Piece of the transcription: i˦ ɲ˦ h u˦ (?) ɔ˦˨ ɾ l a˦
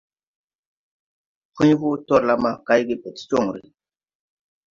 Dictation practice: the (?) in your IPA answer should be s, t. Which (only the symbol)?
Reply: t